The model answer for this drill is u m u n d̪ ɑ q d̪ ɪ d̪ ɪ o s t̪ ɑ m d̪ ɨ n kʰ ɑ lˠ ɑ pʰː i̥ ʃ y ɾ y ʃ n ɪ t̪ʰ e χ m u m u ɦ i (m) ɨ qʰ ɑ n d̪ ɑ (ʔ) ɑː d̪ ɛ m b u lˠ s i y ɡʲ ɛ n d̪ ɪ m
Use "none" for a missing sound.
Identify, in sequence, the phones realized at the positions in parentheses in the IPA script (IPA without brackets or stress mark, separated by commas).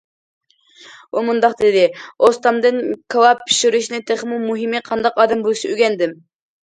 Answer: m, q